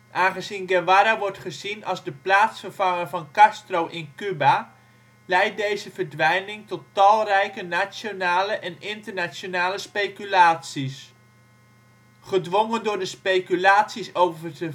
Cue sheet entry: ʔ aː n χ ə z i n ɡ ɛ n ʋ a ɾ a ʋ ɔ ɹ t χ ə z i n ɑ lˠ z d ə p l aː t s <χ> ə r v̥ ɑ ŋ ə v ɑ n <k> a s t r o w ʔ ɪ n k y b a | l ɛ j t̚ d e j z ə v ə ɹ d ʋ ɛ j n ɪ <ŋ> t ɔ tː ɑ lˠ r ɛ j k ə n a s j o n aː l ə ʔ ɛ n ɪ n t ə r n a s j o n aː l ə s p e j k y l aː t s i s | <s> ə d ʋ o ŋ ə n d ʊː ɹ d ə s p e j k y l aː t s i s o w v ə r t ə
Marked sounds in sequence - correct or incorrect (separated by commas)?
incorrect, correct, correct, incorrect